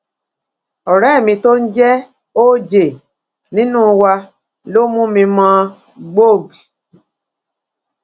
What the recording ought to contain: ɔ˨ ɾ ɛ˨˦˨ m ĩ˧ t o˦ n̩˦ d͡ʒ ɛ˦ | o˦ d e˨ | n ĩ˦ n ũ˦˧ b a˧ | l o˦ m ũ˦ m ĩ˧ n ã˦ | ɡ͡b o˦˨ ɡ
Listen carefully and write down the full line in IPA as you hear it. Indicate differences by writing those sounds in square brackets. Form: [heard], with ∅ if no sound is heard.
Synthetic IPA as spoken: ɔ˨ ɾ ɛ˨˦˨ m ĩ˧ t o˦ n̩˦ d͡ʒ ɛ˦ | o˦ [d͡ʒ] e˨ | n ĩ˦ n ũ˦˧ [w] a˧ | l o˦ m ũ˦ m ĩ˧ [m] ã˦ | ɡ͡b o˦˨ ɡ